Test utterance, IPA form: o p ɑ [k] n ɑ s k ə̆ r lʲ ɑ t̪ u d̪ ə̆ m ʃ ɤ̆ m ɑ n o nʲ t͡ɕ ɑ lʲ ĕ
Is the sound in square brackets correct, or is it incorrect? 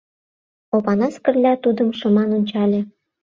incorrect